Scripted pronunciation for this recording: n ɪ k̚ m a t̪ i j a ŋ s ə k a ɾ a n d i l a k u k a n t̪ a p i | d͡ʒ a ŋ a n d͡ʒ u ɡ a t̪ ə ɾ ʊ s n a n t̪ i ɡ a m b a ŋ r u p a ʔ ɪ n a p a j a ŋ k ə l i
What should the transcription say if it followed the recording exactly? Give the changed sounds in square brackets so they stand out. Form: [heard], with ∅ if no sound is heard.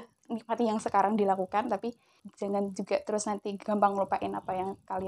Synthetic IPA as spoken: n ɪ k̚ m a t̪ i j a ŋ s ə k a ɾ a [ŋ] d i l a k u k a n t̪ a p i | d͡ʒ a ŋ a n d͡ʒ u ɡ a t̪ ə ɾ ʊ s n a n t̪ i ɡ a m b a ŋ [l] u p a ʔ ɪ n a p a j a ŋ k [a] l i